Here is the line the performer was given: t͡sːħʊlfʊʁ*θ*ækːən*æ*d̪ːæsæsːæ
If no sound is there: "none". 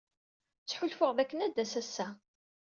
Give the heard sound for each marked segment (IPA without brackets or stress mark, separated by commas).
ð, æ